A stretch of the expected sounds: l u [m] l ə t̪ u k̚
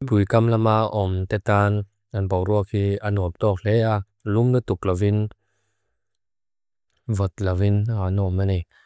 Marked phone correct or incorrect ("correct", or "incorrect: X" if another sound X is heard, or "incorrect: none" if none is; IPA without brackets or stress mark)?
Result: correct